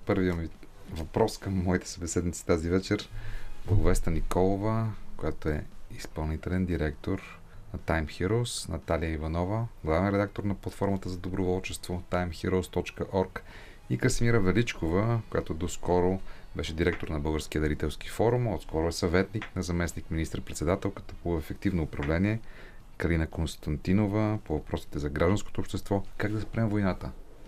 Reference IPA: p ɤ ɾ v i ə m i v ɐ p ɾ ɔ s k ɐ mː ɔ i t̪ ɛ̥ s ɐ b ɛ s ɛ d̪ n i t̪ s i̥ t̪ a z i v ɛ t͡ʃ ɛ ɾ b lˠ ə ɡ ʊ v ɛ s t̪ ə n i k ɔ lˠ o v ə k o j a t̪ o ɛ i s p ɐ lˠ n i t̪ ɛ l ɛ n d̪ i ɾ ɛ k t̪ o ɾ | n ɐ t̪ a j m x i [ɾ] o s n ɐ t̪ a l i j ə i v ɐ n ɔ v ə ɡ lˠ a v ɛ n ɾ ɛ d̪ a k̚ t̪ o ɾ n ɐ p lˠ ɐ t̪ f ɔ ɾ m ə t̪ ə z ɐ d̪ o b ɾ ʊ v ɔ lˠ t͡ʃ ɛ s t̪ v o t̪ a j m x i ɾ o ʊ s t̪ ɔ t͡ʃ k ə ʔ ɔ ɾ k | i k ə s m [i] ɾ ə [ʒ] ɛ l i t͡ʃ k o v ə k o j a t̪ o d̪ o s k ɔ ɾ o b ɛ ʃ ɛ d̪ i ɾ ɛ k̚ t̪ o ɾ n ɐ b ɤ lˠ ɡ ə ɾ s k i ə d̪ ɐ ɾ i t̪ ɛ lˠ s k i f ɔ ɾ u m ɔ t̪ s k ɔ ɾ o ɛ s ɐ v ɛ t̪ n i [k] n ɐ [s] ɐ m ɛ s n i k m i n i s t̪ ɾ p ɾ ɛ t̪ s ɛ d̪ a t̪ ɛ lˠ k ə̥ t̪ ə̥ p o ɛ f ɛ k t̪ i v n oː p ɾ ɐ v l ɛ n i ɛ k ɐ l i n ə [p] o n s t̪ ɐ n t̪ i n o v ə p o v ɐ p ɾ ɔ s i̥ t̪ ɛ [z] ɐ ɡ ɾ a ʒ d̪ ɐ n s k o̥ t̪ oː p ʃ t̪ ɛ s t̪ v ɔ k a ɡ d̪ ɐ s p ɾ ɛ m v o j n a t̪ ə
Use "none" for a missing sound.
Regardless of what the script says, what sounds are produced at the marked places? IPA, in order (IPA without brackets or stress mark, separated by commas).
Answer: ɾ, i, v, k, z, k, z